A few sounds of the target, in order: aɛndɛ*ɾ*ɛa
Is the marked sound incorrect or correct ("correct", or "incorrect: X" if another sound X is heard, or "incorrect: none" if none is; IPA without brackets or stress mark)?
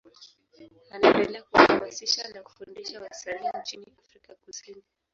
incorrect: l